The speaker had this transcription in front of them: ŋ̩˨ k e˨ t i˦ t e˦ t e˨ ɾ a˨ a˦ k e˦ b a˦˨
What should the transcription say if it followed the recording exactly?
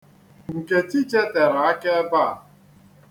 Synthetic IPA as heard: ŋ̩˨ k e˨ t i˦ t͡ʃ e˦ t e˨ ɾ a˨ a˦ k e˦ b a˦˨